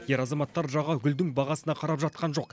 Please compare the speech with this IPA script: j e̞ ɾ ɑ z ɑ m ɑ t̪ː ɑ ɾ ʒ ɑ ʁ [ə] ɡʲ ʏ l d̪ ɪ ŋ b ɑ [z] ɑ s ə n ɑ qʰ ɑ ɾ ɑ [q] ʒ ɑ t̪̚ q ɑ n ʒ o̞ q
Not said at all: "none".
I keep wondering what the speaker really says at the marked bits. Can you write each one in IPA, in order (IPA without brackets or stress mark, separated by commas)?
ɑ, ʁ, p